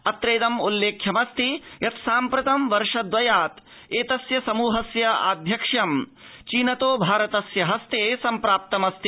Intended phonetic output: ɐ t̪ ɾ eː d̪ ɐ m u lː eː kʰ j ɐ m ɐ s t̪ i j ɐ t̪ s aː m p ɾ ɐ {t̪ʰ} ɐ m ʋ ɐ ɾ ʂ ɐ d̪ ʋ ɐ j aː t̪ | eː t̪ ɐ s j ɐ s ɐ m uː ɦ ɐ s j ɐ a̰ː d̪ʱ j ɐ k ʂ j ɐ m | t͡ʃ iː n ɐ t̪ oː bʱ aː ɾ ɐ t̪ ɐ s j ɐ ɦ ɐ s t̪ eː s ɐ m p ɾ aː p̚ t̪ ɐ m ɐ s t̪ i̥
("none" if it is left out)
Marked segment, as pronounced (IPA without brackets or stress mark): t̪